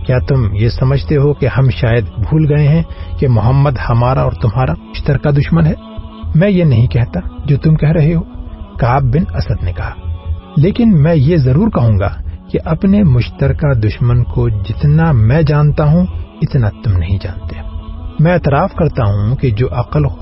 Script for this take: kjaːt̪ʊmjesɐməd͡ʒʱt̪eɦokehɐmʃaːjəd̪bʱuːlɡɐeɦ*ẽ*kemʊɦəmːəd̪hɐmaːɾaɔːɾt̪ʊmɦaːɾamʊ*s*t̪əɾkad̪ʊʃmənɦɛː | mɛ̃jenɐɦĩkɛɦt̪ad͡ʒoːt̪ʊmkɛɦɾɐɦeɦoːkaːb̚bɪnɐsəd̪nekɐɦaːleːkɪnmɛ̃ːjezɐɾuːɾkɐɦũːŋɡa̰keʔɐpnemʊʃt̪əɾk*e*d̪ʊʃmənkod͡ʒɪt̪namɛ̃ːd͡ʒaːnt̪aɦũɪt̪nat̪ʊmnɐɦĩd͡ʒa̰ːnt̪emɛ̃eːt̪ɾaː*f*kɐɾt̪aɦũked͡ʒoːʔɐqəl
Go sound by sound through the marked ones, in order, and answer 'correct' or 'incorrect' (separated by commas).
incorrect, incorrect, incorrect, correct